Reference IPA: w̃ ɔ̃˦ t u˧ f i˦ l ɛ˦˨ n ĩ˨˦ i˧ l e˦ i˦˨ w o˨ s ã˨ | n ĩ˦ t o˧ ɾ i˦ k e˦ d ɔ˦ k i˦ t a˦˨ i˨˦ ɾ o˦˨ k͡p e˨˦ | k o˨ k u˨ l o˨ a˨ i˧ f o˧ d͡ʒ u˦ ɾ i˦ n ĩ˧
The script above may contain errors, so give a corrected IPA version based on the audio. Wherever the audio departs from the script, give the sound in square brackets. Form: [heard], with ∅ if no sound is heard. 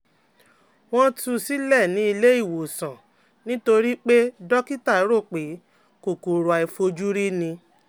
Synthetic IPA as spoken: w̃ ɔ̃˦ t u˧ [s] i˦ l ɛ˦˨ n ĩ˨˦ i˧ l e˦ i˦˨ w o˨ s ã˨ | n ĩ˦ t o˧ ɾ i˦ [k͡p] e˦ d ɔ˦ k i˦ t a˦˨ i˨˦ ɾ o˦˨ k͡p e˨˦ | k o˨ k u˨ [ɾ] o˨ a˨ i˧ f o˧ d͡ʒ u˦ ɾ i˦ n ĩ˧